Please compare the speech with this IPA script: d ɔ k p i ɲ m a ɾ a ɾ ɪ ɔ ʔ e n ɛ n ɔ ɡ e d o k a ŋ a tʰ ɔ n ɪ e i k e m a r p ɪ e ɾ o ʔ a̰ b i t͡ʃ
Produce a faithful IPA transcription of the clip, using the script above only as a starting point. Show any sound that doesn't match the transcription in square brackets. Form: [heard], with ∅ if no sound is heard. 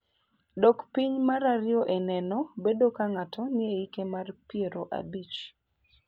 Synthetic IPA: d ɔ k p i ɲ m a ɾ a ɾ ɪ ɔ ʔ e n ɛ n ɔ [b] e d o k a ŋ a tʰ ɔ n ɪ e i k e m a r p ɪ e ɾ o ʔ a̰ b i t͡ʃ